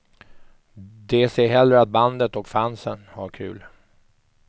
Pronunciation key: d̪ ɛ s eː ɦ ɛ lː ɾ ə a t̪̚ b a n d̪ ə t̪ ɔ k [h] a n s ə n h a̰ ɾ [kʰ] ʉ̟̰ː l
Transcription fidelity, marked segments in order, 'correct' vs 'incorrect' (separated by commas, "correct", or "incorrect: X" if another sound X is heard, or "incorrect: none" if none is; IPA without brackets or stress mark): incorrect: f, correct